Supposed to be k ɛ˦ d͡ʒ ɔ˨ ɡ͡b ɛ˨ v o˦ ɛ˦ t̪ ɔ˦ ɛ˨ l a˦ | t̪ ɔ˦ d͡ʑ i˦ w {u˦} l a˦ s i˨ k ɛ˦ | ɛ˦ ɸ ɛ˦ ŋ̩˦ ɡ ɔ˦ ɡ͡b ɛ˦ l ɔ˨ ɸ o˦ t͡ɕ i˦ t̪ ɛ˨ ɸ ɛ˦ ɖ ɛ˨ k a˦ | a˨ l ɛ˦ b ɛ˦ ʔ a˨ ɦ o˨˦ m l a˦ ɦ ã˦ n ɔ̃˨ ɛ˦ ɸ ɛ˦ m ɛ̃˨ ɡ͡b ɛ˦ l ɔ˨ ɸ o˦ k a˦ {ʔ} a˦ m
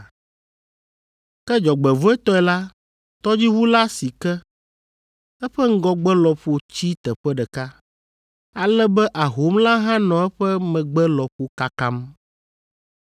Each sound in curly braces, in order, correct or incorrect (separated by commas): correct, incorrect